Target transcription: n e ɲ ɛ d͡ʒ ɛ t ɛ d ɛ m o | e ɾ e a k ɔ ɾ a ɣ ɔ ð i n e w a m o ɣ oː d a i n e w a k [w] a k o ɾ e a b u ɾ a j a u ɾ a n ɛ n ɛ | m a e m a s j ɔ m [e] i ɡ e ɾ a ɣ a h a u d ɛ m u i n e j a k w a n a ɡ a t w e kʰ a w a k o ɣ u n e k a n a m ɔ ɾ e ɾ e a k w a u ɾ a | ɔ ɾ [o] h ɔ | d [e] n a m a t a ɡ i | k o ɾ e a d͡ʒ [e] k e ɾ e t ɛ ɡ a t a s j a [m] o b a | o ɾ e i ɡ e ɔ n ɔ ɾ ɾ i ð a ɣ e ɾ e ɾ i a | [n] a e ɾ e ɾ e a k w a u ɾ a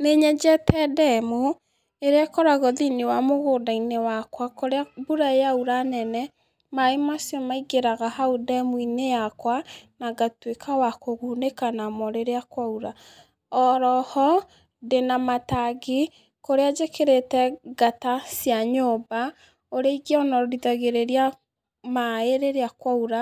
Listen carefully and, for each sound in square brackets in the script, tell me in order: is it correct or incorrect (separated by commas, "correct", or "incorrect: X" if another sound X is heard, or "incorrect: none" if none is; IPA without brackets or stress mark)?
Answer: correct, incorrect: a, incorrect: ɔ, correct, correct, incorrect: ɲ, incorrect: m